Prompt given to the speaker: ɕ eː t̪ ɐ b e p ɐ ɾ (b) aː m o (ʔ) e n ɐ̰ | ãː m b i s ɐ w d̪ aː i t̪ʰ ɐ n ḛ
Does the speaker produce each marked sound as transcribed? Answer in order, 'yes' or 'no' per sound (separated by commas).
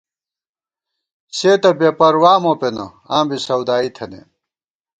no, no